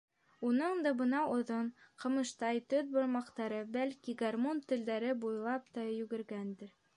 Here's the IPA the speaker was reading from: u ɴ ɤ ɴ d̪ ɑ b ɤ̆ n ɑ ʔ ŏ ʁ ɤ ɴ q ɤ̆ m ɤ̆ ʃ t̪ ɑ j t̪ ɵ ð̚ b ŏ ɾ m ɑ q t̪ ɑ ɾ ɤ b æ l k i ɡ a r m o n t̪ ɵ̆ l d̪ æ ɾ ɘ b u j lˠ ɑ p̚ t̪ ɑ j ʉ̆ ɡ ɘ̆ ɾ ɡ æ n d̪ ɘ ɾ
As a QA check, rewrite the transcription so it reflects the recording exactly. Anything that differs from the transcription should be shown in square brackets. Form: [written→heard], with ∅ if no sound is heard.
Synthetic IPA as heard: u [ɴ→n] ɤ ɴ d̪ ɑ b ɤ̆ n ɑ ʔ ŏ [ʁ→ð] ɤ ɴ q ɤ̆ m ɤ̆ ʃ t̪ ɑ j t̪ ɵ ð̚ b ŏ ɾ m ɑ q t̪ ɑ ɾ ɤ b æ l k i ɡ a r m o n t̪ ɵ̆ l d̪ æ ɾ ɘ b u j lˠ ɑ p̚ t̪ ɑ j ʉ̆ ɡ ɘ̆ ɾ ɡ æ n d̪ ɘ ɾ

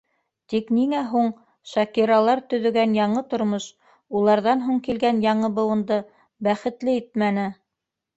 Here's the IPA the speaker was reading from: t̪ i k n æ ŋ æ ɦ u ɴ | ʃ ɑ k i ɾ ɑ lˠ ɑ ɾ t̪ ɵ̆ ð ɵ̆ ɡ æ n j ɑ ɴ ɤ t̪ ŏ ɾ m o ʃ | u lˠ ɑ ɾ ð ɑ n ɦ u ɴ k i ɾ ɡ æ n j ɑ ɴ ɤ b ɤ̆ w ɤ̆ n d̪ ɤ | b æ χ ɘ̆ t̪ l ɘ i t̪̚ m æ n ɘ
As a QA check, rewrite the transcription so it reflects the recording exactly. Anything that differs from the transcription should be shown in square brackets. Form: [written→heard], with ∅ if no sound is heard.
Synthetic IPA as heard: t̪ i k n [æ→i] ŋ æ ɦ u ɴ | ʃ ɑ k i ɾ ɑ lˠ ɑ ɾ t̪ ɵ̆ ð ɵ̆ ɡ æ n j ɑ ɴ ɤ t̪ ŏ ɾ m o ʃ | u lˠ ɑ ɾ ð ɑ n ɦ u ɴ k i [ɾ→l] ɡ æ n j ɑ ɴ ɤ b ɤ̆ w ɤ̆ n d̪ ɤ | b æ χ ɘ̆ t̪ l ɘ i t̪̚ m æ n ɘ

